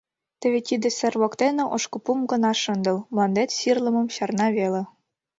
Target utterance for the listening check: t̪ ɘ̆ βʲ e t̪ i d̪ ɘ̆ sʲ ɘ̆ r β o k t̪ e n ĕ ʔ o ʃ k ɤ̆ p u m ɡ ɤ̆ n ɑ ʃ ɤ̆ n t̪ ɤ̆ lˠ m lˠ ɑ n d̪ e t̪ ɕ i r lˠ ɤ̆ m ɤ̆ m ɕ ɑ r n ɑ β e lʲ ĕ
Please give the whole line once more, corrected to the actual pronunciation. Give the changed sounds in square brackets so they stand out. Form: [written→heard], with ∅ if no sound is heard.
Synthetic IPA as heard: t̪ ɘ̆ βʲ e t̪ i d̪ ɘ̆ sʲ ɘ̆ r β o k t̪ e n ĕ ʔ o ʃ k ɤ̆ p u m ɡ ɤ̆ n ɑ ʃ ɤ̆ n [t̪→d̪] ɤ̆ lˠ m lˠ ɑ n d̪ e t̪ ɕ i r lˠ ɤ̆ m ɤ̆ m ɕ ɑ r n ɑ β e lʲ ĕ